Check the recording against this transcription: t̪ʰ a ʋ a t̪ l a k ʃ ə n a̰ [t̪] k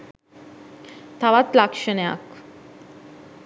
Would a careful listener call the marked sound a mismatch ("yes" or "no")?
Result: yes